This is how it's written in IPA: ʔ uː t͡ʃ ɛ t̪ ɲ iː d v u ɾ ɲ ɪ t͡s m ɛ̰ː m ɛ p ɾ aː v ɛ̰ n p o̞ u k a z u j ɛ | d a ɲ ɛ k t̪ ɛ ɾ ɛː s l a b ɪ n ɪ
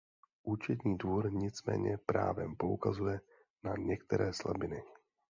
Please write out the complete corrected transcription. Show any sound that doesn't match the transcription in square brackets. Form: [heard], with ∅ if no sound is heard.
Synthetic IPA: ʔ uː t͡ʃ ɛ t̪ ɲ iː d v u ɾ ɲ ɪ t͡s m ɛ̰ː [ɲ] ɛ p ɾ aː v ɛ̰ [m] p o̞ u k a z u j ɛ | [n] a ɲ ɛ k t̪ ɛ ɾ ɛː s l a b ɪ n ɪ